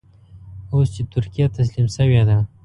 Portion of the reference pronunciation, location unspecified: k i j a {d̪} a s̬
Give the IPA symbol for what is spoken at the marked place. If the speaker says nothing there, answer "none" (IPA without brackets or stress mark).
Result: t̪